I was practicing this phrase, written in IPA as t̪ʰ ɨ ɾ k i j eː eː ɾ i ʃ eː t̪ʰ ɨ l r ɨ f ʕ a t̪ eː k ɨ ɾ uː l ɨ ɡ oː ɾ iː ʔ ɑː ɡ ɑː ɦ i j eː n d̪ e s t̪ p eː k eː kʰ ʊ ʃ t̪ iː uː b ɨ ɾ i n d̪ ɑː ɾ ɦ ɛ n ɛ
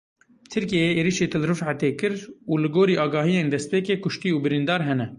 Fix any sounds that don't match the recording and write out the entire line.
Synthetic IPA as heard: t̪ʰ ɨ ɾ k i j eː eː ɾ i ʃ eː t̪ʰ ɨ l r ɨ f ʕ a t̪ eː k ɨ ɾ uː l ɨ ɡ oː ɾ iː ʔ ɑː ɡ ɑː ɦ i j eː n d̪ ɛ s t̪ p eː k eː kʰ ʊ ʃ t̪ iː uː b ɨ ɾ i n d̪ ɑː ɾ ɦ ɛ n ɛ